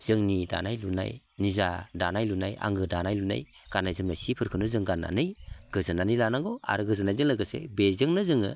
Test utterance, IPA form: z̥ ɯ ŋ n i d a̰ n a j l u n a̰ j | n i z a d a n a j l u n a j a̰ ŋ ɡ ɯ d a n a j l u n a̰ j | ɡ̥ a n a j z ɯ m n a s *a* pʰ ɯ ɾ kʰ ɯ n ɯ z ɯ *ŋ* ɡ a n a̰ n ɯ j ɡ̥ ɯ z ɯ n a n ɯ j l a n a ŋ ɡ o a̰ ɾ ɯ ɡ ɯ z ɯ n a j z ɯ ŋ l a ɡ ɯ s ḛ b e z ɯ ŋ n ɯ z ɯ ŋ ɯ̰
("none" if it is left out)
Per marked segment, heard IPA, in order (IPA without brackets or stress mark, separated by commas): i, ŋ